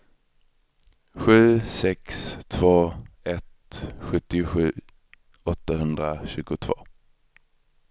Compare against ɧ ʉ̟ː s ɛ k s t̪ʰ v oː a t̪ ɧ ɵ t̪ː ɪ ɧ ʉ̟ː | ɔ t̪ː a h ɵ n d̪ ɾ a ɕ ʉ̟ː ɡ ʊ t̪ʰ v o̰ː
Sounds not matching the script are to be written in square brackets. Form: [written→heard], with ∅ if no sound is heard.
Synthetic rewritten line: ɧ ʉ̟ː s ɛ k s t̪ʰ v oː [a→ɛ] t̪ ɧ ɵ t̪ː ɪ ɧ ʉ̟ː | ɔ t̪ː a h ɵ n d̪ ɾ a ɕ ʉ̟ː ɡ ʊ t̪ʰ v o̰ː

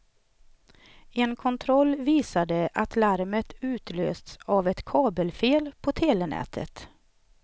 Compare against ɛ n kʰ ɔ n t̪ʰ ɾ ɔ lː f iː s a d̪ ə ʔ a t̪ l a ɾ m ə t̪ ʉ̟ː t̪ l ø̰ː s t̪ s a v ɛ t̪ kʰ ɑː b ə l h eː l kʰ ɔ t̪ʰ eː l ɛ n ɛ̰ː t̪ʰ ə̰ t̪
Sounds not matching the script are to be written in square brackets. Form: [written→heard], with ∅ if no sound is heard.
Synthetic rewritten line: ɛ n kʰ ɔ n t̪ʰ ɾ ɔ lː [f→v] iː s a d̪ ə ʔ a t̪ l a ɾ m ə t̪ ʉ̟ː t̪ l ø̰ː s t̪ s a v ɛ t̪ kʰ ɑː b ə l [h→f] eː l [kʰ→pʰ] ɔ t̪ʰ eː l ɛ n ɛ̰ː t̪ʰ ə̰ t̪

